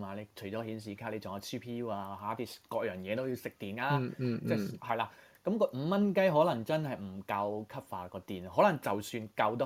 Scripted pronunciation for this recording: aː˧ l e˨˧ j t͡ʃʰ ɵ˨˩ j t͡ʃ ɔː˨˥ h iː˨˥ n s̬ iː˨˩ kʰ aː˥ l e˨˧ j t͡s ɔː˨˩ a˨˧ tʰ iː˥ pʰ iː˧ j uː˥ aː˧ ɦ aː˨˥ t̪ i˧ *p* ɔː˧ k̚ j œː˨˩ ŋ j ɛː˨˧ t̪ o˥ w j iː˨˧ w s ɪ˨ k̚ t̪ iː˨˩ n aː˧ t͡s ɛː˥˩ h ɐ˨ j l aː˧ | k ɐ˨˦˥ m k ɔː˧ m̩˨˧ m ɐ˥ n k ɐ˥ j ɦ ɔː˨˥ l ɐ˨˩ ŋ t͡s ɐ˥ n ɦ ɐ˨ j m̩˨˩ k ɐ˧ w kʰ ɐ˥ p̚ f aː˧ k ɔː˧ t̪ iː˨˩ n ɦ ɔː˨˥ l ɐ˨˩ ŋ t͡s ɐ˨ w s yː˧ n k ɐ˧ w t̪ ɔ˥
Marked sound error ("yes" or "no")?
yes